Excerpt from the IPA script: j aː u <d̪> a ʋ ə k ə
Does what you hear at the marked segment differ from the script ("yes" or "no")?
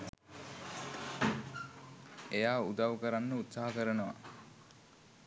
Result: no